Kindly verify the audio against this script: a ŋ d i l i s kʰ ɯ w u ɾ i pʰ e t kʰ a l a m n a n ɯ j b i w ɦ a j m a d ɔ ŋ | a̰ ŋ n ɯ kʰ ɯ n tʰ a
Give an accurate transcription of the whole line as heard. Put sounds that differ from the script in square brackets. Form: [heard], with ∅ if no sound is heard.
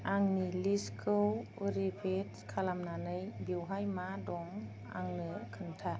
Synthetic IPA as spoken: a ŋ [n] i l i s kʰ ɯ w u ɾ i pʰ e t kʰ a l a m n a n ɯ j b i w ɦ a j m a d ɔ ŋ | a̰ ŋ n ɯ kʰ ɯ n tʰ a